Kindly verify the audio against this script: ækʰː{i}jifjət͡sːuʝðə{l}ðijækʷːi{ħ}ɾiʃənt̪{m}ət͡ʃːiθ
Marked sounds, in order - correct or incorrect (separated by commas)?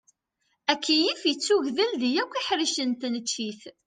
correct, correct, correct, incorrect